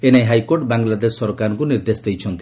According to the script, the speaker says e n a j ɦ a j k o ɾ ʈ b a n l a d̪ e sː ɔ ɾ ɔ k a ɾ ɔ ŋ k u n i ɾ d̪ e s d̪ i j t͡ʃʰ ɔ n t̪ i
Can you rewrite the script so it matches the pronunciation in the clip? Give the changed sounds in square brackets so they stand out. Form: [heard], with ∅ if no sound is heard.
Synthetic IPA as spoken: e n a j ɦ a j k o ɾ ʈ b a [ŋ] l a d̪ e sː ɔ ɾ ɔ k a ɾ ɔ ŋ k u n i ɾ d̪ e s d̪ [e] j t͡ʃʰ ɔ n t̪ i